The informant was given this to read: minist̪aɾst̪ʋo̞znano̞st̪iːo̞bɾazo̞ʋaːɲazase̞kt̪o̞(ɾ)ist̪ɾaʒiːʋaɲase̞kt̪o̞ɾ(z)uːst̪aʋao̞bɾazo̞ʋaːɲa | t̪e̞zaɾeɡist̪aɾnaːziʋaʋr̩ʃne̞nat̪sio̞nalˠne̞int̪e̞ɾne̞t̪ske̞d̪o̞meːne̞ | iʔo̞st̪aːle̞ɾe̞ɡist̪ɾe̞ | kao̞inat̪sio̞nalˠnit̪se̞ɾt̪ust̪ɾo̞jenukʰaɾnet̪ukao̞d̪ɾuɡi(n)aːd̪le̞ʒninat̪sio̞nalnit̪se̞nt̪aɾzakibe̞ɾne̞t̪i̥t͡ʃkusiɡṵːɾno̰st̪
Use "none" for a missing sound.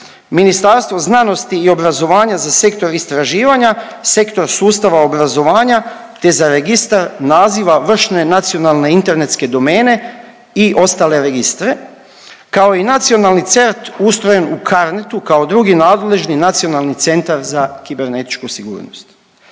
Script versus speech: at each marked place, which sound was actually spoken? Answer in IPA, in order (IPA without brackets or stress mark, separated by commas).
ɾ, s, n